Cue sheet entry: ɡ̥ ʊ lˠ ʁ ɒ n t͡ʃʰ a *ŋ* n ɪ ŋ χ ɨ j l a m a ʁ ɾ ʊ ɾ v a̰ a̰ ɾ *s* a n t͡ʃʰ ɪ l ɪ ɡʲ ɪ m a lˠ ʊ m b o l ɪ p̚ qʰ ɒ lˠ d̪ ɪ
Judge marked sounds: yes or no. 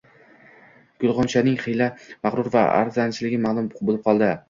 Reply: no, no

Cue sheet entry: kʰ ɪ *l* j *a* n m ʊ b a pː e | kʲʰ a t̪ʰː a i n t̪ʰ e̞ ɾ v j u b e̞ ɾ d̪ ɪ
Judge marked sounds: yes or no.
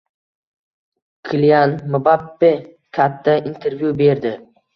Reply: yes, yes

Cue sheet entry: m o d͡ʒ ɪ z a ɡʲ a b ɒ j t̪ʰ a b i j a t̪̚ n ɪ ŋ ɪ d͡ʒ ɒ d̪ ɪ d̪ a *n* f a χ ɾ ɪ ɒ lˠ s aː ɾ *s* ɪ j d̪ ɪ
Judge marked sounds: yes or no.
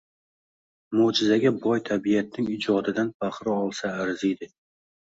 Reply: yes, no

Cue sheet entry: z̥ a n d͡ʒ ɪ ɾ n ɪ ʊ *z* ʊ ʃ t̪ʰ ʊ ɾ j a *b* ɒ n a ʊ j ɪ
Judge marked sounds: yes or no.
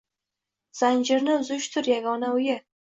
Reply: yes, no

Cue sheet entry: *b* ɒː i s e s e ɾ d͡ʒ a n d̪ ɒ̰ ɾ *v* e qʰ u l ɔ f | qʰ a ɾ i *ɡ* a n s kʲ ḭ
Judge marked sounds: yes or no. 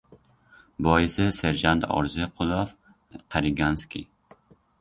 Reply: yes, no, yes

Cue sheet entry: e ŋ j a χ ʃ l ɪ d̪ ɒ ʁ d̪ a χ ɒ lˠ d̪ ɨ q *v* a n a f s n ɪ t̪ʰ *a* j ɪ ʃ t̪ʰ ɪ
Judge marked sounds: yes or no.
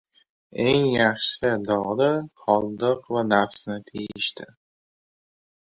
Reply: yes, no

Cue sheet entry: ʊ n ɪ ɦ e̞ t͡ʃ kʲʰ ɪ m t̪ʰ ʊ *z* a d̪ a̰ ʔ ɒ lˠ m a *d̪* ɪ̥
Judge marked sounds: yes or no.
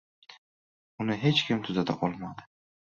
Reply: yes, yes

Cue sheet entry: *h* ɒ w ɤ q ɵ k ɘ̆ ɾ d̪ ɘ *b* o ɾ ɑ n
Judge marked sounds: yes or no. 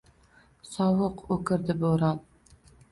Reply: no, yes

